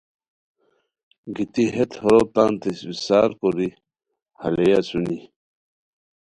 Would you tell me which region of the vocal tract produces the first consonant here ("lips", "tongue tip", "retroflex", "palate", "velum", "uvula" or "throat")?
velum